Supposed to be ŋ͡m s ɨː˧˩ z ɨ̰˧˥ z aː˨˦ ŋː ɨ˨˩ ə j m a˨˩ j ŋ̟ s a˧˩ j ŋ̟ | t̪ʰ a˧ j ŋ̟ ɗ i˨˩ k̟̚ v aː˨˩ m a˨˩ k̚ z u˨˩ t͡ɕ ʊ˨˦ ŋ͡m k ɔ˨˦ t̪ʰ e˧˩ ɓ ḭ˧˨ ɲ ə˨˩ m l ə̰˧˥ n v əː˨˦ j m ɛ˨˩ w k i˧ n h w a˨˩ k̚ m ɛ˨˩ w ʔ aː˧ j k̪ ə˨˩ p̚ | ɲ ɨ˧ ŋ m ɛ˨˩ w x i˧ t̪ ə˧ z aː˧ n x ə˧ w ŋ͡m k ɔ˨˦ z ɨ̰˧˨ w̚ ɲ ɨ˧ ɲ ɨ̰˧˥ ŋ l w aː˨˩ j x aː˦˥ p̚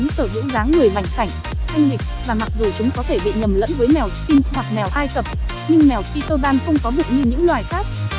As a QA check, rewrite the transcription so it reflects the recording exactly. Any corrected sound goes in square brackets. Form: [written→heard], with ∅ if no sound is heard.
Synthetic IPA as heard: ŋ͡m s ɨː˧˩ z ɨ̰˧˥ z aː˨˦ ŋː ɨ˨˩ ə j m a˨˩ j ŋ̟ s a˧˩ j ŋ̟ | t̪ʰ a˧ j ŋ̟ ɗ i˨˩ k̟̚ v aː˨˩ m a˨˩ k̚ z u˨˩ t͡ɕ ʊ˨˦ ŋ͡m k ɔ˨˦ t̪ʰ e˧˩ ɓ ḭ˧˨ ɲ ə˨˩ m l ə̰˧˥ n v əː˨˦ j m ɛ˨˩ w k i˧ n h w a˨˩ k̚ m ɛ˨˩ w ʔ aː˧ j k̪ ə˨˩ p̚ | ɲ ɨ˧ ŋ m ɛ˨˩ w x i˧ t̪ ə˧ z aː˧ n x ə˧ w ŋ͡m k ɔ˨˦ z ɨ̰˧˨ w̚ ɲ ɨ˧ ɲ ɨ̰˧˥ ŋ l w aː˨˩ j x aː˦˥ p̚